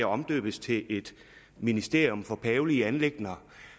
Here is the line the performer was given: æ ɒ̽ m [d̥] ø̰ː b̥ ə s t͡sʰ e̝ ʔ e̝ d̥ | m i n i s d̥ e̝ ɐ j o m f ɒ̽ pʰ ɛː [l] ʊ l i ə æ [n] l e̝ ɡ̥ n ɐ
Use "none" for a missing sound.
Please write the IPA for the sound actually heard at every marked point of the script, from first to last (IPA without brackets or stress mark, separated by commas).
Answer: d̥, none, n